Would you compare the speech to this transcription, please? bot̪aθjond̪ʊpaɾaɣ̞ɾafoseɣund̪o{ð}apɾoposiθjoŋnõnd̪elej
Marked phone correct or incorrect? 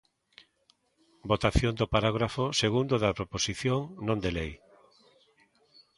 correct